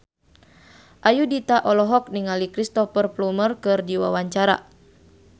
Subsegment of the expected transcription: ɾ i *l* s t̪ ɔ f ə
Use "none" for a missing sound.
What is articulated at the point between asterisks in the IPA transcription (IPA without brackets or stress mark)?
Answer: none